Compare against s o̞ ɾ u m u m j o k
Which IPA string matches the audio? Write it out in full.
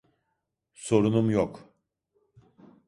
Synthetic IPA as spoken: s o̞ ɾ u n u m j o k